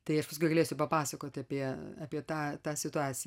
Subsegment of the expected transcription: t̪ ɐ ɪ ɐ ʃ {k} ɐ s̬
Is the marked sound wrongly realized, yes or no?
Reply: yes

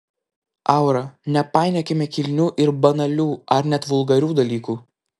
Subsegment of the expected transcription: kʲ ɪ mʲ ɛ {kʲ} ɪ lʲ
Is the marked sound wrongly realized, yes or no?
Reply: no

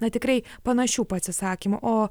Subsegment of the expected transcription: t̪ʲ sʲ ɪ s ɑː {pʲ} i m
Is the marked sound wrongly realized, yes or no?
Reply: yes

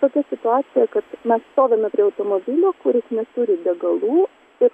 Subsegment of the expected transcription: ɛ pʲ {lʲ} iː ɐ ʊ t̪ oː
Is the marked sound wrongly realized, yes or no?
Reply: yes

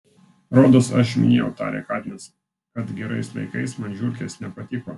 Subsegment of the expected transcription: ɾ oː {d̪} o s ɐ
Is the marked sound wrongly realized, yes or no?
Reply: no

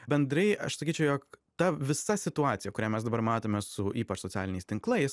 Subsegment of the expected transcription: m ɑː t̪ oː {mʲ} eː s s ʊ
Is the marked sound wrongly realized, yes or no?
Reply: no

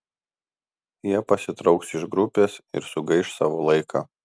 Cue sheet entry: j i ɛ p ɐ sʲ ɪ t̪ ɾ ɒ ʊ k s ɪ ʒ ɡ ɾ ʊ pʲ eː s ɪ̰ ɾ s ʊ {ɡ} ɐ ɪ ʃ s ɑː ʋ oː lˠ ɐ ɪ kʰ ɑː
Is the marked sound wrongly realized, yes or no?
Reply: no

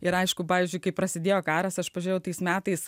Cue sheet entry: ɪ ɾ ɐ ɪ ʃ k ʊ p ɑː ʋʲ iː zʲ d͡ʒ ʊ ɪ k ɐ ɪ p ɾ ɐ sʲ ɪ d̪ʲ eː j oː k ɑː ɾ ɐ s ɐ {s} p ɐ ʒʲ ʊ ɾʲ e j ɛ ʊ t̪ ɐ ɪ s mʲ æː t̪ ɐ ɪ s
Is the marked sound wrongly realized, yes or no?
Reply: yes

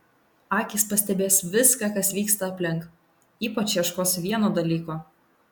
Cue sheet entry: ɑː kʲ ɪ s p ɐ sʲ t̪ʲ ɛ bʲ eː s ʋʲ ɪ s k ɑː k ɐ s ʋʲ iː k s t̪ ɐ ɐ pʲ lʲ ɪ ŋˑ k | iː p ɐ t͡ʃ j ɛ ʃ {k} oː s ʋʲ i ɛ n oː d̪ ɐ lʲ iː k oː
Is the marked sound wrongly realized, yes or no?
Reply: no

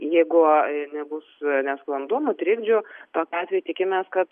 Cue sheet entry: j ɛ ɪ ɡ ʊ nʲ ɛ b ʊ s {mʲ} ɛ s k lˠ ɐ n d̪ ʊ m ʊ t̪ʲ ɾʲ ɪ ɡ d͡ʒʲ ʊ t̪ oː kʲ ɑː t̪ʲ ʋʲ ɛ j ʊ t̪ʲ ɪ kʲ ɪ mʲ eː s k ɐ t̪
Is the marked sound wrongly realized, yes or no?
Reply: yes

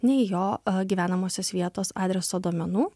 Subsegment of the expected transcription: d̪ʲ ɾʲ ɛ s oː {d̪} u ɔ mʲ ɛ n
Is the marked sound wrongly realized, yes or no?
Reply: no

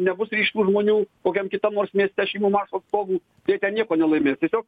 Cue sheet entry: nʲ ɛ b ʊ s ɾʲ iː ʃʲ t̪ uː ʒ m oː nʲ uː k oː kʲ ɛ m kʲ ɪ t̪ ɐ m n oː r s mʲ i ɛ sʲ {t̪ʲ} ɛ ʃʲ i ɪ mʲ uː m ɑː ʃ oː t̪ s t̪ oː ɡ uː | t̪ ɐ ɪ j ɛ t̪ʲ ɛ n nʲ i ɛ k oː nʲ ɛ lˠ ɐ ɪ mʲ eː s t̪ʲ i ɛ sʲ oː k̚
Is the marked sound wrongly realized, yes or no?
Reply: no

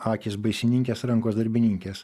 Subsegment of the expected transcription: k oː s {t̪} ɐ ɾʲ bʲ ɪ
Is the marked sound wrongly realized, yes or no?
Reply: yes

